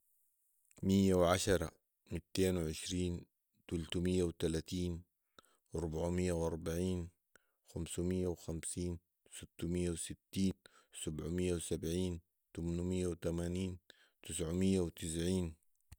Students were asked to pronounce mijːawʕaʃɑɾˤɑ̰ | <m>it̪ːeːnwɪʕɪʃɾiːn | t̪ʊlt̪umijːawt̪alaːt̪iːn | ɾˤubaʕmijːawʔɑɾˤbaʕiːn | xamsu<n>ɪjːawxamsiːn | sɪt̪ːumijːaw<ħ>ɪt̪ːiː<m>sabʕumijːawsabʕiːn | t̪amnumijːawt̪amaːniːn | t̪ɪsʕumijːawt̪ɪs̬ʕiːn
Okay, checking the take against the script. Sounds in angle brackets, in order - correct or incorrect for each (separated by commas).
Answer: correct, incorrect, incorrect, incorrect